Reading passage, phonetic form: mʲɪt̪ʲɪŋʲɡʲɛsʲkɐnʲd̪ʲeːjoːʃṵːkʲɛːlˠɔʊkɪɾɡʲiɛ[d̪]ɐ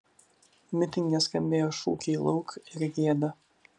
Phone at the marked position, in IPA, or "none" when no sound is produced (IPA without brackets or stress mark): d̪